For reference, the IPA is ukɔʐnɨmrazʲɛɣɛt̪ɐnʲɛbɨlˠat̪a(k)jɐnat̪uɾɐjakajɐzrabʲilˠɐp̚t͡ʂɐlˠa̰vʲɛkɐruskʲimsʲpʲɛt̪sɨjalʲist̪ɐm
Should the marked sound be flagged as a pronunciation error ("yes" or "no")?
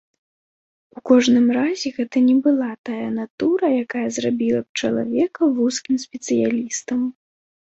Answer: yes